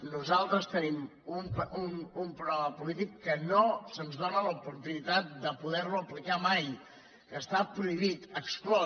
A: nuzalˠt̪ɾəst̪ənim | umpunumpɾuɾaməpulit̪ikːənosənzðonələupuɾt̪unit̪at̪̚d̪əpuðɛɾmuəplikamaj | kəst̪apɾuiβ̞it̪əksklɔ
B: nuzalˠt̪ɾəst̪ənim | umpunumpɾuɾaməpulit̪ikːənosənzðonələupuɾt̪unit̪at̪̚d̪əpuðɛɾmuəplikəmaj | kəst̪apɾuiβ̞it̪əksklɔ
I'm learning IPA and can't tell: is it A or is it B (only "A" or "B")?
A